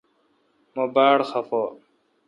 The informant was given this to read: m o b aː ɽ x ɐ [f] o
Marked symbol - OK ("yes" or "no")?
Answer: yes